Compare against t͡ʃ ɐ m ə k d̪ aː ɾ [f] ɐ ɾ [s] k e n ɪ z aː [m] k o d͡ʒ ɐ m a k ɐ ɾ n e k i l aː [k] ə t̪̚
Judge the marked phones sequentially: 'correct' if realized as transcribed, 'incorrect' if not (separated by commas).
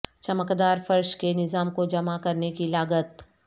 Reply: correct, incorrect, correct, incorrect